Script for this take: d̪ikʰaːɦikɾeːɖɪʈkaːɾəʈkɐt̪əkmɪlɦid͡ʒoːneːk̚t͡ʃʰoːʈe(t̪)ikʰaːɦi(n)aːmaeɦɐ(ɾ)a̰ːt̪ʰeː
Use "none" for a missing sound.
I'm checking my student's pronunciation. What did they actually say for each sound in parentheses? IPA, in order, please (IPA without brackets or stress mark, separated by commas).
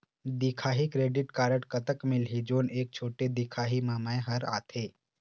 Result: d̪, m, ɾ